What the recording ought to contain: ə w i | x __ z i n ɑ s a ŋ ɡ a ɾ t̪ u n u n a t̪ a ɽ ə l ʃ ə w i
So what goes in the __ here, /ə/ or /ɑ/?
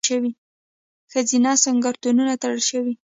ə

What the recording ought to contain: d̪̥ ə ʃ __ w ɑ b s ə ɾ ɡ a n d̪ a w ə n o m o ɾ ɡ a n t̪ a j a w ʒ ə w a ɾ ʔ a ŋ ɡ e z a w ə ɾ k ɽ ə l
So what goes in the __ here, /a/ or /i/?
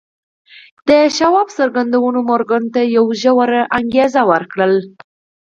a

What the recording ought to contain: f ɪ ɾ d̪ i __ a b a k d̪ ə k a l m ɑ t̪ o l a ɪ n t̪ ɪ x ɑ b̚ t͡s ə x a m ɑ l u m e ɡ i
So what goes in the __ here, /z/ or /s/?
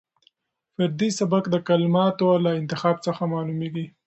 s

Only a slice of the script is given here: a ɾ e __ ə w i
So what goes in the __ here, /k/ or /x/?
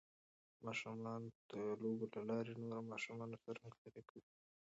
k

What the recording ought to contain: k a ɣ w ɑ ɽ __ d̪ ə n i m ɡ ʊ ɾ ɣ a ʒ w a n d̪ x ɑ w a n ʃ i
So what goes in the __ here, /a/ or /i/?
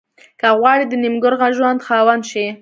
i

